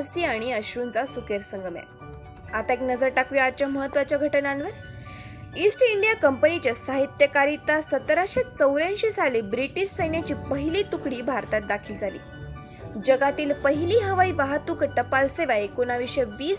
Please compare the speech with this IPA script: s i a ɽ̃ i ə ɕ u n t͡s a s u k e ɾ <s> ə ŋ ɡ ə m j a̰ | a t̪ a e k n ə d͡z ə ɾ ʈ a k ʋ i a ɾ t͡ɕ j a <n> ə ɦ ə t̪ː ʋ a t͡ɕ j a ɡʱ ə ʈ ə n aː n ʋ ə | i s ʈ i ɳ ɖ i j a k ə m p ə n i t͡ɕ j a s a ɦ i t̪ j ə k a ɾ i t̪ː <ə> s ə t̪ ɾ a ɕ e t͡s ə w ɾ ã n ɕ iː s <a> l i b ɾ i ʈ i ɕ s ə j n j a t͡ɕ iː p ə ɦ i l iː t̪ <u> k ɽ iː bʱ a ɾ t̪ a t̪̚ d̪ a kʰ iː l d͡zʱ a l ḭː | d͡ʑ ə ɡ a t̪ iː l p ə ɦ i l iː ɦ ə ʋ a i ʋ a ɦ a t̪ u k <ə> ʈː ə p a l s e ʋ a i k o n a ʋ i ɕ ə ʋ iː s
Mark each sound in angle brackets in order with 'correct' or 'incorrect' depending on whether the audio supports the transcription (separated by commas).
correct, incorrect, incorrect, correct, correct, correct